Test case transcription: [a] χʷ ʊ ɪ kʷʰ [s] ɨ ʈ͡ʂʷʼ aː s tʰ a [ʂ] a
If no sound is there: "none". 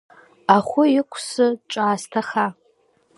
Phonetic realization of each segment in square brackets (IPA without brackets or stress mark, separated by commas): a, s, χ